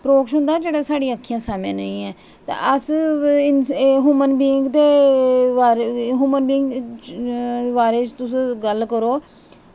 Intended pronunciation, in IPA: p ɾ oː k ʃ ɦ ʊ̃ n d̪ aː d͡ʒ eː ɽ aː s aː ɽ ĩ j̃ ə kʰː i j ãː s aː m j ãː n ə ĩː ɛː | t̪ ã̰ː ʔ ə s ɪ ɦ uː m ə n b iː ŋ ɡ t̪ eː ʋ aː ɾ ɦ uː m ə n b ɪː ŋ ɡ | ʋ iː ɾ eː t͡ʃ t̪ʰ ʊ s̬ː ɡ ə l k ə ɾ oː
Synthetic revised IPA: p ɾ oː k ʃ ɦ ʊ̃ n d̪ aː d͡ʒ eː ɽ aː s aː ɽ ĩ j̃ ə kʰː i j ãː s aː m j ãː n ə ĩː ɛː | t̪ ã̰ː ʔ ə s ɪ ɦ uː m ə n b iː ŋ ɡ t̪ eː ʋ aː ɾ ɦ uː m ə n b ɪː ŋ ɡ | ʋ aː ɾ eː t͡ʃ t̪ ʊ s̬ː ɡ ə l k ə ɾ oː

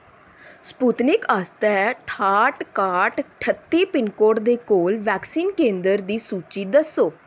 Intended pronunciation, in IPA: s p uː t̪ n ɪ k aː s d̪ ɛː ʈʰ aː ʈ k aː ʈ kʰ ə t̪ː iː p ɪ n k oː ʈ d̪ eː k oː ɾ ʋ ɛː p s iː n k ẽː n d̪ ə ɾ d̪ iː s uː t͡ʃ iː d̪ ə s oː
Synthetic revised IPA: s p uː t̪ n ɪ k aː s t̪ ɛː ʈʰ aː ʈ k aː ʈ ʈʰ ə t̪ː iː p ɪ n k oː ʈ d̪ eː k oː l ʋ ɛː k s iː n k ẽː n d̪ ə ɾ d̪ iː s uː t͡ʃ iː d̪ ə s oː

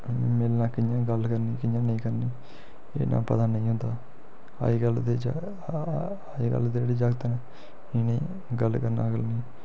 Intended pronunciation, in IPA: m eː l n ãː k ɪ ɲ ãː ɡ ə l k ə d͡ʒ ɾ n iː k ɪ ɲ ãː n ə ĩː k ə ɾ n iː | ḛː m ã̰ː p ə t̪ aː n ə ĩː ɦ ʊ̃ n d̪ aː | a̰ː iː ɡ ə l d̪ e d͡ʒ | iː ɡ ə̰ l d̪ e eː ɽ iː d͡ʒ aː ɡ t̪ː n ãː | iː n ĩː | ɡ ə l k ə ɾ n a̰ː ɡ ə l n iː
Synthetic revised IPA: m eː l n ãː k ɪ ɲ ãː ɡ ə l k ə ɾ n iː k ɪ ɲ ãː n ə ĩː k ə ɾ n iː | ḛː n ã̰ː p ə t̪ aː n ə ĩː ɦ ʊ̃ n d̪ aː | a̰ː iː ɡ ə l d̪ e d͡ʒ | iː ɡ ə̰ l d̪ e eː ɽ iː d͡ʒ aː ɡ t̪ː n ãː | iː n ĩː | ɡ ə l k ə ɾ n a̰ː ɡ ə l n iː

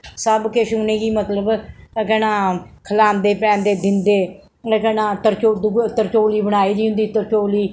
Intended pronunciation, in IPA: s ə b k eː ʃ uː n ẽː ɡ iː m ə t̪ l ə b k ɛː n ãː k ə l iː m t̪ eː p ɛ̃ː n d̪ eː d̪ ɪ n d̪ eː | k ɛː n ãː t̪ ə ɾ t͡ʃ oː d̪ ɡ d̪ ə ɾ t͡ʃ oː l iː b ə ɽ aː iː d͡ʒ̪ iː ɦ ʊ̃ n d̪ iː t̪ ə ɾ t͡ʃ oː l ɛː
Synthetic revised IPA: s ə b k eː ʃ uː n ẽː ɡ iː m ə t̪ l ə b k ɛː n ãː kʰ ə l aː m d̪ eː p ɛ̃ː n d̪ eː d̪ ɪ n d̪ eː | k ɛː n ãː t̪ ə ɾ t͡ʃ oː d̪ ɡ t̪ ə ɾ t͡ʃ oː l iː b ə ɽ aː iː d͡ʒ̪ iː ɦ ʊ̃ n d̪ iː t̪ ə ɾ t͡ʃ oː l iː

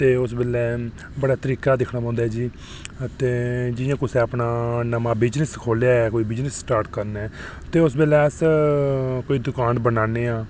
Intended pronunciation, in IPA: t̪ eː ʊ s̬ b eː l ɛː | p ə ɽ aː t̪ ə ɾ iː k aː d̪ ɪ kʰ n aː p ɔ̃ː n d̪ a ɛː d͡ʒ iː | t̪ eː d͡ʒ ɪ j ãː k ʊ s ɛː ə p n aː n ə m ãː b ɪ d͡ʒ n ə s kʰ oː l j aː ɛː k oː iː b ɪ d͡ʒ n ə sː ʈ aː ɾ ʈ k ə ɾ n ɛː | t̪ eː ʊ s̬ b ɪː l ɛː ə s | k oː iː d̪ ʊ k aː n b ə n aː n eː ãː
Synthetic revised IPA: t̪ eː ʊ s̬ b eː l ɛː | b ə ɽ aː t̪ ə ɾ iː k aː d̪ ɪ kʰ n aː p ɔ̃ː n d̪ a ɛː d͡ʒ iː | t̪ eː d͡ʒ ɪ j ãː k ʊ s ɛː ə p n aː n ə m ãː b ɪ d͡ʒ n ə s kʰ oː l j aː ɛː k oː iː b ɪ d͡ʒ n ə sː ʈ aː ɾ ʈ k ə ɾ n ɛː | t̪ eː ʊ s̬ b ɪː l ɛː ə s | k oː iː d̪ ʊ k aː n b ə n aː n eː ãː

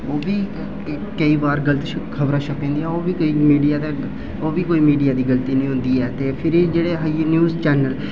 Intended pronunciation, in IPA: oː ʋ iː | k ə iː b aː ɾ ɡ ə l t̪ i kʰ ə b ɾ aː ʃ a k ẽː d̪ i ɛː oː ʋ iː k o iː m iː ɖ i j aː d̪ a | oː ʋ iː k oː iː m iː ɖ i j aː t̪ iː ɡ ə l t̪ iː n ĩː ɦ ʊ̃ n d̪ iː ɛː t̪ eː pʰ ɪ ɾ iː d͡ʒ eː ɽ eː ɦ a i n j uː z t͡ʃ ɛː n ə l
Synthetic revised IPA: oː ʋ iː | k ə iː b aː ɾ ɡ ə l t̪ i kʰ ə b ɾ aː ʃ ə k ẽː d̪ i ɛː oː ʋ iː k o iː m iː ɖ i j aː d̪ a | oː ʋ iː k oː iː m iː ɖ i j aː d̪ iː ɡ ə l t̪ iː n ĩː ɦ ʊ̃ n d̪ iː ɛː t̪ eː pʰ ɪ ɾ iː d͡ʒ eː ɽ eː ɦ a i n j uː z t͡ʃ ɛː n ə l

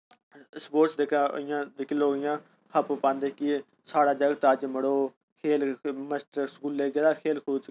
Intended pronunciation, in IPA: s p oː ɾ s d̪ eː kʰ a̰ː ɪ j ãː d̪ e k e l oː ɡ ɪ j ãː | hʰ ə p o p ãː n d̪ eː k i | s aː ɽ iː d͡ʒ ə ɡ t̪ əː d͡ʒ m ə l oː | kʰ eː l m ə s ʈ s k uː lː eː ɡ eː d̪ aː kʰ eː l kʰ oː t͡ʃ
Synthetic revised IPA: s p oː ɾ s d̪ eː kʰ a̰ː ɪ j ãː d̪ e k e l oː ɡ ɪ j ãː | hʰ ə p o p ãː n d̪ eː k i | s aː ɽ aː d͡ʒ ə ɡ t̪ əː d͡ʒ m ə ɽ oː | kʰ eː l m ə s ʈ s k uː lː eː ɡ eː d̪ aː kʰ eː l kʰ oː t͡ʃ

